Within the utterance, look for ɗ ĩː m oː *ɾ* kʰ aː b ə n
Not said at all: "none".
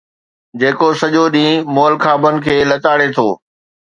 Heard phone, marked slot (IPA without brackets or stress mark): l